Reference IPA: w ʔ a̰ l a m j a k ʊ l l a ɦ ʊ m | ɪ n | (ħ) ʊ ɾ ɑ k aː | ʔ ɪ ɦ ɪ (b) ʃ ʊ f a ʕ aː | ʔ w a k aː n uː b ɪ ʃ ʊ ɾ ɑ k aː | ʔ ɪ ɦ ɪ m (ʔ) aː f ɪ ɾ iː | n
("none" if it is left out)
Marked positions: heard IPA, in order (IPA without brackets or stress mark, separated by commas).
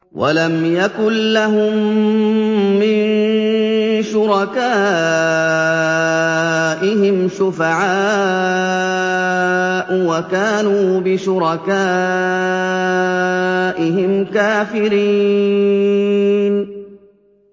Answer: ʃ, m, k